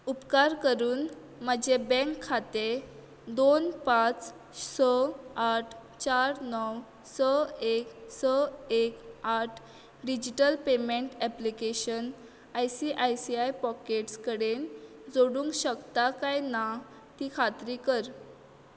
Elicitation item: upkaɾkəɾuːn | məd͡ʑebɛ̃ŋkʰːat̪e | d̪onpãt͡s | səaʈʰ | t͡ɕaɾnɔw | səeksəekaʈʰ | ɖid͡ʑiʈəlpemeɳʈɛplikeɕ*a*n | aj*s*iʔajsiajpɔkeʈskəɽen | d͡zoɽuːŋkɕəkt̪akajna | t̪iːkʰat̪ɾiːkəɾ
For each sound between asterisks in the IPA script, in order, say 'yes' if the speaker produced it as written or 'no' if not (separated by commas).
no, yes